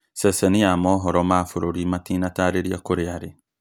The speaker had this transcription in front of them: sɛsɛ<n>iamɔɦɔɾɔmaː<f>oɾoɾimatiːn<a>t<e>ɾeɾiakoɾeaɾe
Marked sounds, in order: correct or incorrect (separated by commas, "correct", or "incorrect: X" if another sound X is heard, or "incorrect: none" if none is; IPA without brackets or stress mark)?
correct, correct, correct, incorrect: a